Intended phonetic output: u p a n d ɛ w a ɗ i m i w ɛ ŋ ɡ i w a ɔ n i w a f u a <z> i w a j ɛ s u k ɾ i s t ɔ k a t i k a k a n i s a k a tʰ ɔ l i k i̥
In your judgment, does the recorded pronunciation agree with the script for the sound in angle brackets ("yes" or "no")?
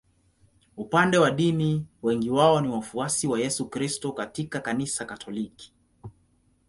no